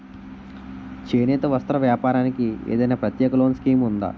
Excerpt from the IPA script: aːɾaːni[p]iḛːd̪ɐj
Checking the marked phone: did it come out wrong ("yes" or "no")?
yes